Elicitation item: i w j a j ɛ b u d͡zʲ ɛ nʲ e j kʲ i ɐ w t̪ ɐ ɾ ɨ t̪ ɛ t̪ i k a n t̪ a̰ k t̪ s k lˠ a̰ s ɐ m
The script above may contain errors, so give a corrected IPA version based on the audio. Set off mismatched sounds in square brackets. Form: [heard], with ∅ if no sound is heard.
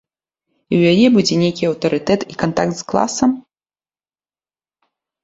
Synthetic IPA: i w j a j ɛ b u d͡zʲ ɛ nʲ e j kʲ i ɐ w t̪ ɐ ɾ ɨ t̪ ɛ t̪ i k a n t̪ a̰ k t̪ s k lˠ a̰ s ɐ m